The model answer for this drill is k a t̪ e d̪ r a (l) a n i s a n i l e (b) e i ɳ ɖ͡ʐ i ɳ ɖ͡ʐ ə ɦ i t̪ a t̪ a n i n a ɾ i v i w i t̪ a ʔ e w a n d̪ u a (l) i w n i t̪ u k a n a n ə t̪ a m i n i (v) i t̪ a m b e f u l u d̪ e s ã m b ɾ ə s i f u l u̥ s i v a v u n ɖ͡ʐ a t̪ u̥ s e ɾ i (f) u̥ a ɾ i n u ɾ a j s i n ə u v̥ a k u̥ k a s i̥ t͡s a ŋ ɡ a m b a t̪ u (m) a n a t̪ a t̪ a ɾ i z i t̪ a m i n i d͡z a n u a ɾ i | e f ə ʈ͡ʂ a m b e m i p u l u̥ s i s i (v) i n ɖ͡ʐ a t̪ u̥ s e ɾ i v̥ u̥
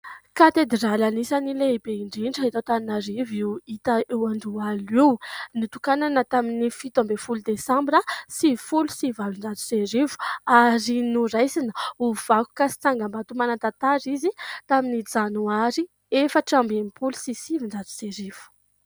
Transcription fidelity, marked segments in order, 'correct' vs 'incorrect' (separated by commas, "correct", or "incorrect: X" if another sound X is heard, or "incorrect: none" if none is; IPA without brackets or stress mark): correct, correct, correct, incorrect: f, incorrect: v, correct, correct